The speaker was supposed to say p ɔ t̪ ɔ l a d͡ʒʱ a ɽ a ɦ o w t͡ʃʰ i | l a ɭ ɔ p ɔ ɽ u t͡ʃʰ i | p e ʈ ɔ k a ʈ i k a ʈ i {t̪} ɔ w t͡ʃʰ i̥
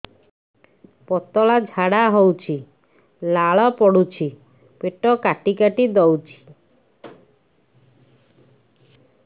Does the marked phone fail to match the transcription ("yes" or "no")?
yes